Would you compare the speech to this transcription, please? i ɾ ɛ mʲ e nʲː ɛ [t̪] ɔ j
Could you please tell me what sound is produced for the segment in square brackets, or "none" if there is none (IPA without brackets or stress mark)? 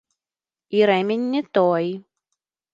t̪